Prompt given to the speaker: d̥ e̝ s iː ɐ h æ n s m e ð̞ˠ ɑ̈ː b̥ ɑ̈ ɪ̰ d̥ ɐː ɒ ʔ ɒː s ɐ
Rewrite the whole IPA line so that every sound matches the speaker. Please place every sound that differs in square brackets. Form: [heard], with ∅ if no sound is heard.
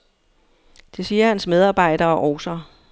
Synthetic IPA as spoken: d̥ e̝ s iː ɐ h æ n s m e ð̞ˠ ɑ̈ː b̥ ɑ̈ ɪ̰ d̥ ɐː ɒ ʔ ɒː s ɐ